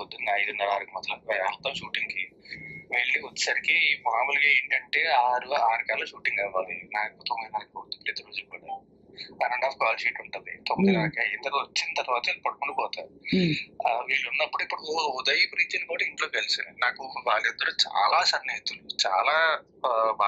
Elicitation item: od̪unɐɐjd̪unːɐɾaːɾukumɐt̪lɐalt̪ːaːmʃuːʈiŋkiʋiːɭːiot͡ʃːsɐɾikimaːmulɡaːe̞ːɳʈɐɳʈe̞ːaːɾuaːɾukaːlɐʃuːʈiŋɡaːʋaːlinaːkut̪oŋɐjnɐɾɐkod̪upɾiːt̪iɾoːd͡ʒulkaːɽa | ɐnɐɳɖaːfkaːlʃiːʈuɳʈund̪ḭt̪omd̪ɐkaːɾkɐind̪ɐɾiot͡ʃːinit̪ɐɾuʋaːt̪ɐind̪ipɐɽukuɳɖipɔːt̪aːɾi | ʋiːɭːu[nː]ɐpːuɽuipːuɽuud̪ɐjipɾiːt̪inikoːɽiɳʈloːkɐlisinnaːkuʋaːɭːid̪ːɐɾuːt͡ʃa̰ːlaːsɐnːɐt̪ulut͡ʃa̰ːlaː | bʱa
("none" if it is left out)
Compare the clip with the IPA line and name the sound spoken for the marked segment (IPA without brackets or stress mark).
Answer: nː